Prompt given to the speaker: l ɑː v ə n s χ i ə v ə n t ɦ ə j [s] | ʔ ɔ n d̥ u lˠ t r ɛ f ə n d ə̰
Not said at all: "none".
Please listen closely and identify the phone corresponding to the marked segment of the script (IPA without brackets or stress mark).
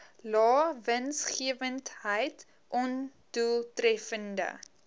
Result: t